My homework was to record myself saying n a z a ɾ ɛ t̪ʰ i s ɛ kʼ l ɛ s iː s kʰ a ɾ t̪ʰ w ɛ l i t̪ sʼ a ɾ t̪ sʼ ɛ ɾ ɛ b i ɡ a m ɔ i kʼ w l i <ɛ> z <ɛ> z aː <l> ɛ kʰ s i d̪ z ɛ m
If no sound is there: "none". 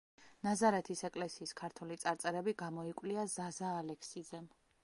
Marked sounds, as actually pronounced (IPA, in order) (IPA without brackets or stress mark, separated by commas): a, a, l